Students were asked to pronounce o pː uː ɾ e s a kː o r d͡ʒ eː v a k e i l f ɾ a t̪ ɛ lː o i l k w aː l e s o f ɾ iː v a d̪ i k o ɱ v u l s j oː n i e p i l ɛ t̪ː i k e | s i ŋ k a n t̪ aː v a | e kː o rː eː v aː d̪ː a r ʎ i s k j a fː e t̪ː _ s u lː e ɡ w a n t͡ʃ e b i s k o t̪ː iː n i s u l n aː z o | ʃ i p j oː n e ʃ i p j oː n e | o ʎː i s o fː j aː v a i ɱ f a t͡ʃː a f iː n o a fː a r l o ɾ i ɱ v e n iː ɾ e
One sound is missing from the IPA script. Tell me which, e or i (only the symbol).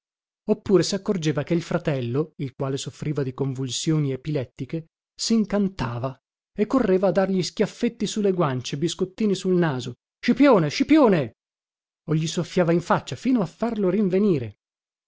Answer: i